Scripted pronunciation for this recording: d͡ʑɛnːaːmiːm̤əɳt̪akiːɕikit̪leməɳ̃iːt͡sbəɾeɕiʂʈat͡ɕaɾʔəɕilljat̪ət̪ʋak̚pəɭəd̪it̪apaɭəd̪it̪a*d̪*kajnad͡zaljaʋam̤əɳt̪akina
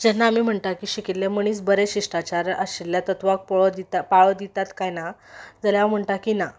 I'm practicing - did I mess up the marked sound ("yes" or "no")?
yes